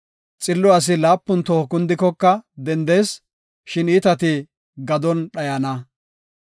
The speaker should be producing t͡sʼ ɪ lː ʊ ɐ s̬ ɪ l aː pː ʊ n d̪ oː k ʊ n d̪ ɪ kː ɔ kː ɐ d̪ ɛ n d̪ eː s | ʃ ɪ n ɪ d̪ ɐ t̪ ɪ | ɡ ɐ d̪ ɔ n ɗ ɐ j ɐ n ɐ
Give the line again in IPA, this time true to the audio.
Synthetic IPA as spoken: t͡sʼ ɪ lː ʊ ɐ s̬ ɪ l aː pː ʊ n t̪ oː k ʊ n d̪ ɪ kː ɔ kː ɐ d̪ ɛ n d̪ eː s | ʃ ɪ n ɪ t̪ ɐ t̪ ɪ | ɡ ɐ d̪ ɔ n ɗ ɐ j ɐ n ɐ